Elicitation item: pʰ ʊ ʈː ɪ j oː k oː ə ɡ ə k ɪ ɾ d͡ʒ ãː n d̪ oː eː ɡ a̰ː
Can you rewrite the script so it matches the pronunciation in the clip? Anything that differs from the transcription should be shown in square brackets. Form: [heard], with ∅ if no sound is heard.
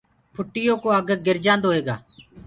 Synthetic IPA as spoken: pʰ ʊ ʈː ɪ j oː k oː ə ɡ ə [ɡ] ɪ ɾ d͡ʒ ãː n d̪ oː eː ɡ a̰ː